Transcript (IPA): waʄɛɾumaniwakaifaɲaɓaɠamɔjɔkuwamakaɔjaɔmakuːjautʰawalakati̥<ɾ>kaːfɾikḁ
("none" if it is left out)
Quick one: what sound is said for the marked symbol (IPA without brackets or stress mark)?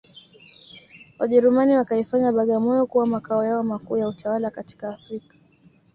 none